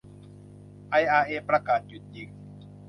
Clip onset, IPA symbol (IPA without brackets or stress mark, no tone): ʔ